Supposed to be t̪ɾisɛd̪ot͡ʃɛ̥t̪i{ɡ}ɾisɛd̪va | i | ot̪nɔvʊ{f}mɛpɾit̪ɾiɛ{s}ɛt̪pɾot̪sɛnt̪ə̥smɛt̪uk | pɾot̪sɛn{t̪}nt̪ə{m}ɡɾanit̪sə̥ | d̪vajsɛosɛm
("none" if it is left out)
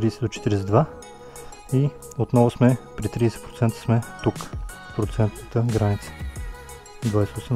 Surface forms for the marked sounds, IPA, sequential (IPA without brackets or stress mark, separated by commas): none, s, s, t̪, none